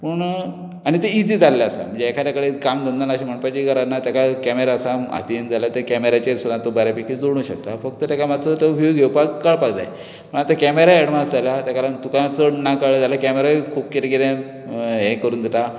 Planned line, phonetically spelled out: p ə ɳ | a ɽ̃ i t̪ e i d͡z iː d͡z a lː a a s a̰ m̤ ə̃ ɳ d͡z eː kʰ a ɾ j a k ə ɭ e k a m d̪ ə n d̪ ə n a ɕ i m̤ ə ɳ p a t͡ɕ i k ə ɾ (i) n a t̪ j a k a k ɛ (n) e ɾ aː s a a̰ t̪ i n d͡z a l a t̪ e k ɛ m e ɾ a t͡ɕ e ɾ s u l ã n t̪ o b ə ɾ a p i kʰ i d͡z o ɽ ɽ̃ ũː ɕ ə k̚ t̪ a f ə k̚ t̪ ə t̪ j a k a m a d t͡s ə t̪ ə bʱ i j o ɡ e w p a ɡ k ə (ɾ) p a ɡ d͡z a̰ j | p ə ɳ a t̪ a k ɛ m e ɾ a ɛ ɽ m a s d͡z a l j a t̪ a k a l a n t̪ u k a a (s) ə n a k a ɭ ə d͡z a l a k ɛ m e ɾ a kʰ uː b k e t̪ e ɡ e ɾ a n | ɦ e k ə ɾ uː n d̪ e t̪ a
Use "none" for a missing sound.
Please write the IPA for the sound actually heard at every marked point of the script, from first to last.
a, m, ɭ, t͡s

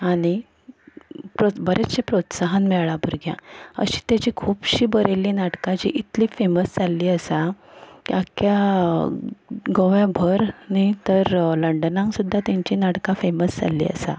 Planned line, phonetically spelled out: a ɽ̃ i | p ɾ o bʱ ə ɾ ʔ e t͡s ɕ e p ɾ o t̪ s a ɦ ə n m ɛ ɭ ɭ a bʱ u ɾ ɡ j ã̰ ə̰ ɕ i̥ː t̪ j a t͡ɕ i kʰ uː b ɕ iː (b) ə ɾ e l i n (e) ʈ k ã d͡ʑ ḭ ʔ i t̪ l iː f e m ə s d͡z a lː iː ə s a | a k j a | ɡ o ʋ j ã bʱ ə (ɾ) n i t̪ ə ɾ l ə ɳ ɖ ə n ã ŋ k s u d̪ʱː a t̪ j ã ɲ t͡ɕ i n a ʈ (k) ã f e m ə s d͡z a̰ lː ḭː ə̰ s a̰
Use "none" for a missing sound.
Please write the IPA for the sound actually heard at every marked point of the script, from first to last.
b, a, ɾ, k

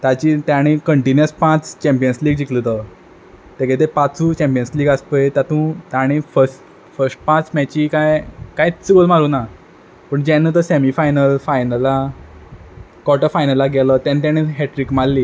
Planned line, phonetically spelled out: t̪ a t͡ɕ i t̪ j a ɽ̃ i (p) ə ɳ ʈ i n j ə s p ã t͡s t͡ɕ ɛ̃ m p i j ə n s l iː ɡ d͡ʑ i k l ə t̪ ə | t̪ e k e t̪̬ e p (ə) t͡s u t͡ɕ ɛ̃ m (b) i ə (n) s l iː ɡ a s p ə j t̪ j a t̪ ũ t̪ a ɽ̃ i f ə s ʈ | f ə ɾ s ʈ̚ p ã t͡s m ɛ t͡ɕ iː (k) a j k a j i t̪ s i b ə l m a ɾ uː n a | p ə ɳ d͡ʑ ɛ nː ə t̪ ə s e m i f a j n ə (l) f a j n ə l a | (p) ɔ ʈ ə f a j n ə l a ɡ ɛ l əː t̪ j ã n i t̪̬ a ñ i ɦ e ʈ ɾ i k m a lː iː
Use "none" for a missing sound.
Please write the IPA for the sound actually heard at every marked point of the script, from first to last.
k, a, p, n, k, l, k

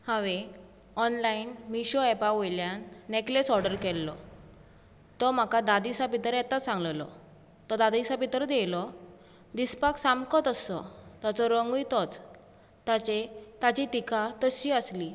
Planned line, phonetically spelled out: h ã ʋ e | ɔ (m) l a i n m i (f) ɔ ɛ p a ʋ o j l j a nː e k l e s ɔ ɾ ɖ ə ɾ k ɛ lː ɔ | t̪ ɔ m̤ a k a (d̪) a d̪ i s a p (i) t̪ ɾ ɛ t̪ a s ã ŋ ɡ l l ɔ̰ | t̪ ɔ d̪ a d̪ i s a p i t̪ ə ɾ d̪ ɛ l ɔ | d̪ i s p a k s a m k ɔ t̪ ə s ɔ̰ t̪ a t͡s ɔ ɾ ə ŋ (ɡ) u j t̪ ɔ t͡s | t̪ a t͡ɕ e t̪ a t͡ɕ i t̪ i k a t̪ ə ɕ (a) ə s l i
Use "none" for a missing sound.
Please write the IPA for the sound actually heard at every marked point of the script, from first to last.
n, ɕ, d̪, i, ɡ, i

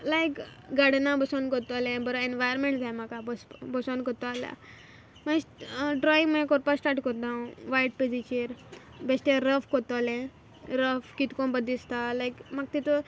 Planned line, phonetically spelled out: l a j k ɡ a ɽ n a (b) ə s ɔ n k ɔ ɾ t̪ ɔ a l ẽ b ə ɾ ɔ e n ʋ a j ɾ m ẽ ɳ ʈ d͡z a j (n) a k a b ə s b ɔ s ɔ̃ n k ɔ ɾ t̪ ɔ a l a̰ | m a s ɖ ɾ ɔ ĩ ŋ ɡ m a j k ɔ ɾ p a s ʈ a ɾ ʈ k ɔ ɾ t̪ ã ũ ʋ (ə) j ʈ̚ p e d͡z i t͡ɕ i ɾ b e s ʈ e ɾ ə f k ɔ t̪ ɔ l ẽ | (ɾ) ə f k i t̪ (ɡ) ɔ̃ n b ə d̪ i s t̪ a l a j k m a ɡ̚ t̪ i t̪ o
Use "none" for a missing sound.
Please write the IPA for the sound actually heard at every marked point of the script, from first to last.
b, m, a, ɾ, k

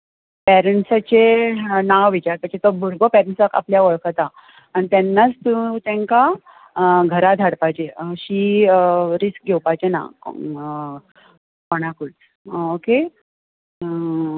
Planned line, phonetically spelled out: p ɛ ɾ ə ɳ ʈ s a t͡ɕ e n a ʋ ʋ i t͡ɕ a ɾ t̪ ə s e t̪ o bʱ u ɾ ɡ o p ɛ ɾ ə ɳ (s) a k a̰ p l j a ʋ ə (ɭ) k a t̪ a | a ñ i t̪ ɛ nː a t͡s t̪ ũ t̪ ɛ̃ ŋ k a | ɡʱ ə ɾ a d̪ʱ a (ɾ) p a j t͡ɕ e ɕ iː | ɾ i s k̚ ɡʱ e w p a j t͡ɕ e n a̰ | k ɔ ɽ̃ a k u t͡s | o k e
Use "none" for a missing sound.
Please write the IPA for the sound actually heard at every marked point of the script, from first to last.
s, ɭ, ɽ

